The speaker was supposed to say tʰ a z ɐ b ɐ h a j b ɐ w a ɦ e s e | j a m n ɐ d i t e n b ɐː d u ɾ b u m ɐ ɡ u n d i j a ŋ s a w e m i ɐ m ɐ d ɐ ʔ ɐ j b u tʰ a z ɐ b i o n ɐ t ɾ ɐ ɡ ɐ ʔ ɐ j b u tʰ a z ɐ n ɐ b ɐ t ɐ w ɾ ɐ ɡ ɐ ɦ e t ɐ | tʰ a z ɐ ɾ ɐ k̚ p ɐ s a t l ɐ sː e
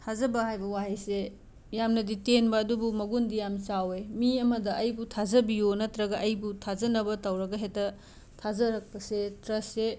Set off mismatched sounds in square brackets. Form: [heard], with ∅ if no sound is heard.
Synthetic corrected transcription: tʰ a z ɐ b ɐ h a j b ɐ w a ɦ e s e | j a m n ɐ d i t e n b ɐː d u [∅] b u m ɐ ɡ u n d i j a [m] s a w e m i ɐ m ɐ d ɐ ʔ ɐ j b u tʰ a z ɐ b i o n ɐ t ɾ ɐ ɡ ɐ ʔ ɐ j b u tʰ a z ɐ n ɐ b ɐ t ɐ w ɾ ɐ ɡ ɐ ɦ e t ɐ | tʰ a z ɐ ɾ ɐ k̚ p ɐ s [e] t [ɾ] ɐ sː e